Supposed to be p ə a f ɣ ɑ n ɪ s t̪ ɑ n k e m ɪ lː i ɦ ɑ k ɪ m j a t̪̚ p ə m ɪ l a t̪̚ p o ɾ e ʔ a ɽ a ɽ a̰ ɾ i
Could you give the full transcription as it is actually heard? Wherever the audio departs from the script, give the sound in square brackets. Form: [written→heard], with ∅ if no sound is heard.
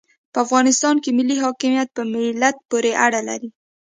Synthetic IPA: p ə a f ɣ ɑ n ɪ s t̪ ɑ n k e m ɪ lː i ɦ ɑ k ɪ m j a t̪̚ p ə m ɪ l a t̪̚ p o ɾ e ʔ a ɽ a [ɽ→l] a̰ ɾ i